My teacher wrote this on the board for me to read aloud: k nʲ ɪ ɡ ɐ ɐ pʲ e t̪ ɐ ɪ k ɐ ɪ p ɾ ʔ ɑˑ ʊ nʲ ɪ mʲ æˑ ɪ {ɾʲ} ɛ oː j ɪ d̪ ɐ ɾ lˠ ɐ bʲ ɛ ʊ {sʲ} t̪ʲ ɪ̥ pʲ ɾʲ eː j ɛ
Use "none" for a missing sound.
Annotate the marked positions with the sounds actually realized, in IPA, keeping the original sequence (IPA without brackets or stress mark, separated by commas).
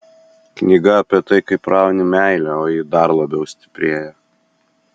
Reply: lʲ, sʲ